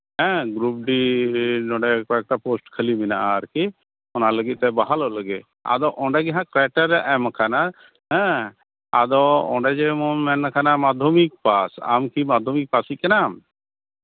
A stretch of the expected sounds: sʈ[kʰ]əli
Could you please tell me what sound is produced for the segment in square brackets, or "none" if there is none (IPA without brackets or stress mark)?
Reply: kʰ